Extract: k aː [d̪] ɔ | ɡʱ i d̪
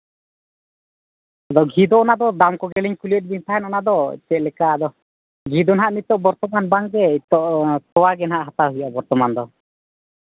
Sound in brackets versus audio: correct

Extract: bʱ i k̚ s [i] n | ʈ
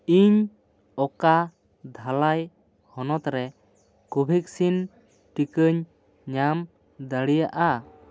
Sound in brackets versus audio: correct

